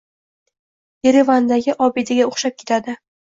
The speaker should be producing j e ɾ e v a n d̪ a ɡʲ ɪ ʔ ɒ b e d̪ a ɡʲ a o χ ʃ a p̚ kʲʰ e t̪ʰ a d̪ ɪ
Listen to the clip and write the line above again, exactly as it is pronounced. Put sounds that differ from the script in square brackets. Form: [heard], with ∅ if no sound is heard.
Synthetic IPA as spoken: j e ɾ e v a n d̪ a ɡʲ ɪ ʔ ɒ b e d̪ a ɡʲ a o χ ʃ a p̚ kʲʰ e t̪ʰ a d̪ ɪ

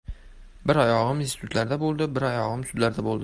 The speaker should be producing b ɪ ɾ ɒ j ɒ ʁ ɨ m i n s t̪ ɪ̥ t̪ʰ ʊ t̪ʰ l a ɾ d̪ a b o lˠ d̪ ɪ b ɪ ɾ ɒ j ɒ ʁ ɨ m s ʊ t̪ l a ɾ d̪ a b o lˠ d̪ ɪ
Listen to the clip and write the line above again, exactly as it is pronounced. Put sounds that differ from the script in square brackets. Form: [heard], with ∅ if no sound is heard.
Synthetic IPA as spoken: b ɪ ɾ ɒ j ɒ ʁ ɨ m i n s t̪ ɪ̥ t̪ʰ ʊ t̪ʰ l a ɾ d̪ a b o lˠ d̪ ɪ b ɪ ɾ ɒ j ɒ ʁ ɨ m s ʊ [d̪] l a ɾ d̪ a b o lˠ d̪ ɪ

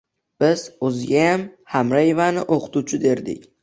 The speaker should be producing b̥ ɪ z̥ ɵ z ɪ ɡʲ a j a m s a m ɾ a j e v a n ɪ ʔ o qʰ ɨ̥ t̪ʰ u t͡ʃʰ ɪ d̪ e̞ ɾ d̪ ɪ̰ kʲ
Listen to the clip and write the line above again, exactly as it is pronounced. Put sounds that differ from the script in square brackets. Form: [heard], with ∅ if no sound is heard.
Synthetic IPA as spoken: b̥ ɪ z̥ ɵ z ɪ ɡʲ a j a m [h] a m ɾ a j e v a n ɪ ʔ o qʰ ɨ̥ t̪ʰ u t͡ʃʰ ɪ d̪ e̞ ɾ d̪ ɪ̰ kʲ

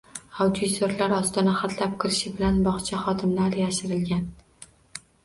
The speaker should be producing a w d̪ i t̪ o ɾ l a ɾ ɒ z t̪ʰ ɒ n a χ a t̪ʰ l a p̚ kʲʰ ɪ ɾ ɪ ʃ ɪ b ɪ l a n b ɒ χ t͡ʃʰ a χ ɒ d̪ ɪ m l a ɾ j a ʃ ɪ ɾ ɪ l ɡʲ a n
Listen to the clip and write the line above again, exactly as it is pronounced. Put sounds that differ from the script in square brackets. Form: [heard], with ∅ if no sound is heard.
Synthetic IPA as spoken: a w d̪ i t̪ o ɾ l a ɾ ɒ [s] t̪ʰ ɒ n a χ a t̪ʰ l a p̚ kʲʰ ɪ ɾ ɪ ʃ ɪ b ɪ l a n b ɒ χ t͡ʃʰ a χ ɒ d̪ ɪ m l a ɾ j a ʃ ɪ ɾ ɪ l ɡʲ a n

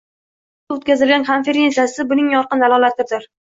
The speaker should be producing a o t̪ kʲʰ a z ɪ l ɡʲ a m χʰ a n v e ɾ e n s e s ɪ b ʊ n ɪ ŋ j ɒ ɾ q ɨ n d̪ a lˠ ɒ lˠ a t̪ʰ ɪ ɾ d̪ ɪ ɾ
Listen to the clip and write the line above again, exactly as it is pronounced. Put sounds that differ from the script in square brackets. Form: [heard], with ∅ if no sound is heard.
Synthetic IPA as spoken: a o t̪ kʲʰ a z ɪ l ɡʲ a [n] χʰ a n [f] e ɾ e n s [a] s ɪ b ʊ n ɪ ŋ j ɒ ɾ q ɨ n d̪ a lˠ ɒ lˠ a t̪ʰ ɪ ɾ d̪ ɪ ɾ

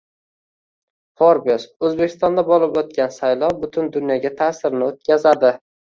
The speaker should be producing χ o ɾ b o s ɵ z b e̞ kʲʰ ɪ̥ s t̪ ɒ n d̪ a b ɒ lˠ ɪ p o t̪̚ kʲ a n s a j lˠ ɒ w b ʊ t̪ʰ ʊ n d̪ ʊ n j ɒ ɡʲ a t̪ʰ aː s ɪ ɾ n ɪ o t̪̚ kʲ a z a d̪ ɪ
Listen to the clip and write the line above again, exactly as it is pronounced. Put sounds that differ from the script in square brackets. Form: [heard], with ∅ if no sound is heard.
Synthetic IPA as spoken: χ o ɾ b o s ɵ z b e̞ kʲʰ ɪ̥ s t̪ ɒ n d̪ a b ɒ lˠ ɪ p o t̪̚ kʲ a n s a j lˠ ɒ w b ʊ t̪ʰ ʊ n d̪ ʊ n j ɒ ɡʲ a t̪ʰ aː s ɪ ɾ n ɪ o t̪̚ kʲ a z a d̪ ɪ

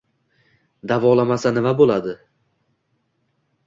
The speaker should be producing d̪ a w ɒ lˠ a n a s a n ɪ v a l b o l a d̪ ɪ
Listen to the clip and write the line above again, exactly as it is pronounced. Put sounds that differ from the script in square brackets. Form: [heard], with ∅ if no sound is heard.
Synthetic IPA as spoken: d̪ a [v] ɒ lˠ a [m] a s a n ɪ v a [∅] b o l a d̪ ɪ

